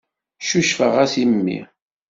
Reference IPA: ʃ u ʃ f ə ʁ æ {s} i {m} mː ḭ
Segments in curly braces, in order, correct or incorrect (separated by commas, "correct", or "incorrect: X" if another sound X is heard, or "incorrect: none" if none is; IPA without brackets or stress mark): correct, correct